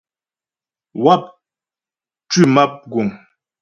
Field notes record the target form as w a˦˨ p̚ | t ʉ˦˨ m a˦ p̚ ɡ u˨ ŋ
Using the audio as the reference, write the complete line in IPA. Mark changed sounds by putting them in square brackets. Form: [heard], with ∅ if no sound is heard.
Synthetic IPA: w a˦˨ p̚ | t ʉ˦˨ m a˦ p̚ ɡ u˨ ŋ